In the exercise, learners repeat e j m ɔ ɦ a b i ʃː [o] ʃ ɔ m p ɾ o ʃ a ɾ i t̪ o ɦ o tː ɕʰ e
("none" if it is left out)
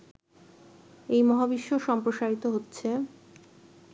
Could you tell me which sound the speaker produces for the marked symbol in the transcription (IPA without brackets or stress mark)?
o